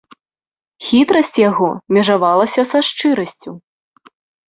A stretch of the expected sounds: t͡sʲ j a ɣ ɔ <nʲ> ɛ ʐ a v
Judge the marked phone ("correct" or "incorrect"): incorrect